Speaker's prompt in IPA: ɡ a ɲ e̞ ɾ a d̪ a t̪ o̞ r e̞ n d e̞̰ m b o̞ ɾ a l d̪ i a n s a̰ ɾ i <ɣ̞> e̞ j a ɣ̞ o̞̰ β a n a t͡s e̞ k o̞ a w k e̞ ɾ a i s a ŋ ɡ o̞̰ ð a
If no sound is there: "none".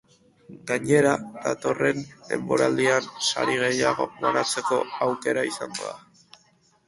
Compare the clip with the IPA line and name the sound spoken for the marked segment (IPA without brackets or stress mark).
ɣ̞